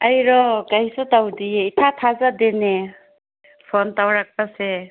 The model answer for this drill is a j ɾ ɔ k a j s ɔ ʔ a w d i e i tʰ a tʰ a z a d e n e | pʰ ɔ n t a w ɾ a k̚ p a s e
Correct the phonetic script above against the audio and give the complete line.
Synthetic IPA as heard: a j ɾ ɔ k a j s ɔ t a w d i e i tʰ a tʰ a z a d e n e | pʰ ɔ n t a w ɾ a k̚ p a s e